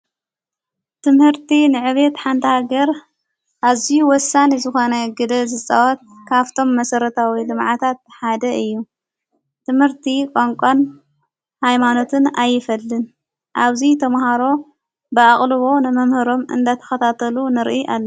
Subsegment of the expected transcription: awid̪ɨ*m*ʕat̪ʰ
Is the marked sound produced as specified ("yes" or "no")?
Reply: yes